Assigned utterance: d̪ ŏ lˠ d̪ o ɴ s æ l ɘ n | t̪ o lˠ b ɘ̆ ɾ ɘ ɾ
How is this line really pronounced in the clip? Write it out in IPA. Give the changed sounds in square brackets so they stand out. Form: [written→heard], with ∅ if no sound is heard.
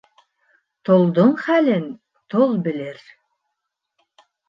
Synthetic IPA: [d̪→t̪] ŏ lˠ d̪ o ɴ [s→χ] æ l ɘ n | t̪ o lˠ b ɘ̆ [ɾ→l] ɘ ɾ